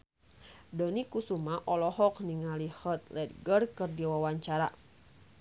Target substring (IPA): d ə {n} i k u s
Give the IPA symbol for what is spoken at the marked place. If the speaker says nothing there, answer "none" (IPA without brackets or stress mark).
n